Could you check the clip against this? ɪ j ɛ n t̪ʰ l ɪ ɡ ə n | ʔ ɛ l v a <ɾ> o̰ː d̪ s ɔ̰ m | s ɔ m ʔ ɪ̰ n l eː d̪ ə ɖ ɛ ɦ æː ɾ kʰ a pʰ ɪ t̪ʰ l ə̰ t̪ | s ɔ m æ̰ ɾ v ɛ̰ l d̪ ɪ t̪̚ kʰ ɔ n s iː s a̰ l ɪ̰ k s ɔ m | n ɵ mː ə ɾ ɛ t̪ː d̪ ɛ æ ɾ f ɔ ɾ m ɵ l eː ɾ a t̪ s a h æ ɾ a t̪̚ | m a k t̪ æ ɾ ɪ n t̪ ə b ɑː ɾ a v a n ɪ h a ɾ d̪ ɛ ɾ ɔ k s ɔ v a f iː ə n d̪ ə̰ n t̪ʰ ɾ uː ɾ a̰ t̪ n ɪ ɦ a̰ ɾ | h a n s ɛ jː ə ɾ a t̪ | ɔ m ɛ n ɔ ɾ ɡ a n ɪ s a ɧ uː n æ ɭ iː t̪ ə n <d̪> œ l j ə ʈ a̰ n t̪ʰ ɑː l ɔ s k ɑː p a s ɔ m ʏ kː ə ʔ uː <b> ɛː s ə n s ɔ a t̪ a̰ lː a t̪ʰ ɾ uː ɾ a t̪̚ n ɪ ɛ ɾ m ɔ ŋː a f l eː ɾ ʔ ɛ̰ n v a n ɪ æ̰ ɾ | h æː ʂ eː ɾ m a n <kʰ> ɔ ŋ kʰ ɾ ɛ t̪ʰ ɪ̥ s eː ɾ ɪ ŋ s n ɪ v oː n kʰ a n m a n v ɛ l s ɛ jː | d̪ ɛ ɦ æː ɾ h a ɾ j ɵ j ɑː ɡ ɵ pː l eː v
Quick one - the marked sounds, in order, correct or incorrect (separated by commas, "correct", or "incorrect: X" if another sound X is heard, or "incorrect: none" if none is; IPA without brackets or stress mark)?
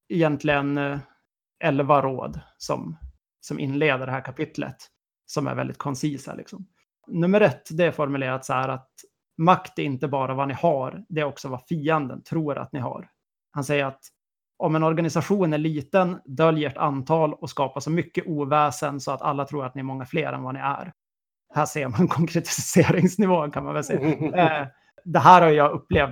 correct, correct, incorrect: v, correct